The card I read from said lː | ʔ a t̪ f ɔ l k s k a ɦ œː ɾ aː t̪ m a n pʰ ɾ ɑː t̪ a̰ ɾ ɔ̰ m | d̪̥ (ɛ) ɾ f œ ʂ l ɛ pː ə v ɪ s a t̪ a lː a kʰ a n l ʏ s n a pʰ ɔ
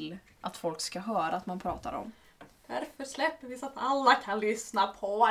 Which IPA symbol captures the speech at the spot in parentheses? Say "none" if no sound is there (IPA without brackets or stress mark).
æ